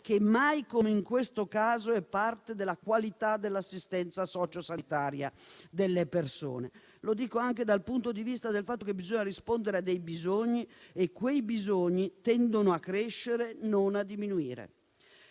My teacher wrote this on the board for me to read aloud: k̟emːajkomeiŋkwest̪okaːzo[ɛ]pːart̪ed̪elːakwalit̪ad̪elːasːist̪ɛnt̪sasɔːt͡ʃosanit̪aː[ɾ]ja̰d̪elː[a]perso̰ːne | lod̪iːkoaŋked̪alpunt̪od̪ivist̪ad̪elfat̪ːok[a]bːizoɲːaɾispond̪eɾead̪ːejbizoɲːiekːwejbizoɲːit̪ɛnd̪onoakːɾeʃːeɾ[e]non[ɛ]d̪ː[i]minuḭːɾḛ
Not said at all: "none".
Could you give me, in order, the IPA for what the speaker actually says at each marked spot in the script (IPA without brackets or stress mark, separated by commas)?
ɛ, ɾ, e, e, e, a, i